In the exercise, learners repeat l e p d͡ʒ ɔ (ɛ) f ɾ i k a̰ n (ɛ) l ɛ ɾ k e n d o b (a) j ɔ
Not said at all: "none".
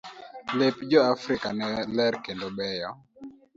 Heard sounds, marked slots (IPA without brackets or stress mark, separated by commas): a, ɛ, ɛ